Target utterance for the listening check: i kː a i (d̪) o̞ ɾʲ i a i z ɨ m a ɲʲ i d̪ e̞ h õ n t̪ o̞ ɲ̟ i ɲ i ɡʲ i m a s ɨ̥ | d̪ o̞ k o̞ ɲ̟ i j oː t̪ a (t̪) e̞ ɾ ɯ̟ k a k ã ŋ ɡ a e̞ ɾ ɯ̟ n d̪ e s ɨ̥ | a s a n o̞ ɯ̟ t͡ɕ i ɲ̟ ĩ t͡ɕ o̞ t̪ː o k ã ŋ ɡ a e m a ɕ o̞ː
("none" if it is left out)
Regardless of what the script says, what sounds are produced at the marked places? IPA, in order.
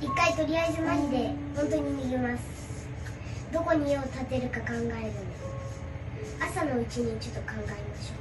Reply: t̪, t̪

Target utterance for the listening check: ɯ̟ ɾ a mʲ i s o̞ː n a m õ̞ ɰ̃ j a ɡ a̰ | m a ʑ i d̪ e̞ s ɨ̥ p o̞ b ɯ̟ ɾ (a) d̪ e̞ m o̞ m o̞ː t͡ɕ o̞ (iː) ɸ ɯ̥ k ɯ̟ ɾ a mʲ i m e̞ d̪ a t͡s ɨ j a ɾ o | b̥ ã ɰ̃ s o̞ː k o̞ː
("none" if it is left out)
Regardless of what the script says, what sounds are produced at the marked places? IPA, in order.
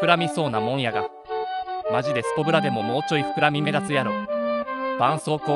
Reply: a, i

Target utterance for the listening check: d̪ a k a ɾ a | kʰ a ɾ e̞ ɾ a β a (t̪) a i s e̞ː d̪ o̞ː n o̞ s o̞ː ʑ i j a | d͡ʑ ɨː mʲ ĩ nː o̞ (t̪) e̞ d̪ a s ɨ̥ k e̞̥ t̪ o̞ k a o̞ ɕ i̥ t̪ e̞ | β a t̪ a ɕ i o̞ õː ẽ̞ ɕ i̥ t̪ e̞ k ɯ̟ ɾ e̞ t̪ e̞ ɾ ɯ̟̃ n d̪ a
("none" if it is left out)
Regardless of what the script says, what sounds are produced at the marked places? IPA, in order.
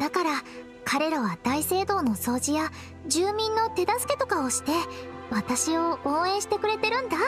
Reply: d̪, t̪

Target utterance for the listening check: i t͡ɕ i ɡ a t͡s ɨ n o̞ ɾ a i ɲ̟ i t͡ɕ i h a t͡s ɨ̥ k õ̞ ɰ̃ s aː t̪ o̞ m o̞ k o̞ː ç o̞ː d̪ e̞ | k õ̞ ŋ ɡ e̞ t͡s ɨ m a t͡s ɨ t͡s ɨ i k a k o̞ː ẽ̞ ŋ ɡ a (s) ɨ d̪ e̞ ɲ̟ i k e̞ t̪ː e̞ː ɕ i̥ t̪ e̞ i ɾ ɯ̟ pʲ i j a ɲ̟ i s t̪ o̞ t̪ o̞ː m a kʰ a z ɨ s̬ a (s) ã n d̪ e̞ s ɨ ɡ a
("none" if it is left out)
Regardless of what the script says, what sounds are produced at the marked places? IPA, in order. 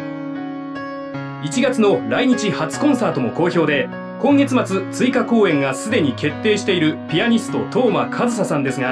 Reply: s, s

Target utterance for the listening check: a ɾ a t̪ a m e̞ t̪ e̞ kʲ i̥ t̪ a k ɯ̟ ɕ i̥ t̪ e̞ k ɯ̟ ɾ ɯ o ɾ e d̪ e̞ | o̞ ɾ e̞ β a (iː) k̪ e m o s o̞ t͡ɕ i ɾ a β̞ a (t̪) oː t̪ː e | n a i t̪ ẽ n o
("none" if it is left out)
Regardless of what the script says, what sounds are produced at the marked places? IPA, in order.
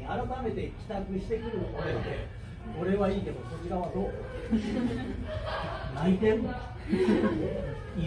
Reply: iː, d̪

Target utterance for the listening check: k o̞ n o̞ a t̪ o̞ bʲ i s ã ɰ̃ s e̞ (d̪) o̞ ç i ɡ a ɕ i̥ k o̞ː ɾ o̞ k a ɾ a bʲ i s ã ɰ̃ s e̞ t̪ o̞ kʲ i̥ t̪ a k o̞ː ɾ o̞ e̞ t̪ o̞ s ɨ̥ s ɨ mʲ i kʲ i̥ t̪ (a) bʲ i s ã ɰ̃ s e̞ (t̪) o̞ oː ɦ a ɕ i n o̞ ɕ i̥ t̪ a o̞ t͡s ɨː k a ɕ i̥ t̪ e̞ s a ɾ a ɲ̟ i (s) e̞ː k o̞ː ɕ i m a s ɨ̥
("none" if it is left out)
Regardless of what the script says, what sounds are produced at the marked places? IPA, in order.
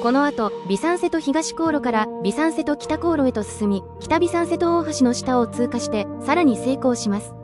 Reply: t̪, a, t̪, s

